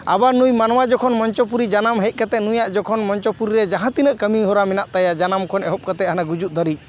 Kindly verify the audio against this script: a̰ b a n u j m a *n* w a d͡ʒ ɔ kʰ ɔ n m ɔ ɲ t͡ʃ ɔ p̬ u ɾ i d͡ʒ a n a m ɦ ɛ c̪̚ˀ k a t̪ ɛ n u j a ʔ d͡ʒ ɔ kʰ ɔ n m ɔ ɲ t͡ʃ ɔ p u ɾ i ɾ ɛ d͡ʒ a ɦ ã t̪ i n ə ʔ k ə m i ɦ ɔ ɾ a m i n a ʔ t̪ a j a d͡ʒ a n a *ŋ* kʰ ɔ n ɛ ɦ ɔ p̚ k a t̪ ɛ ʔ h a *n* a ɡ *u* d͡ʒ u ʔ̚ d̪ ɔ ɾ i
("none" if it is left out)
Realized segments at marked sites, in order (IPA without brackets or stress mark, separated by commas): n, m, n, u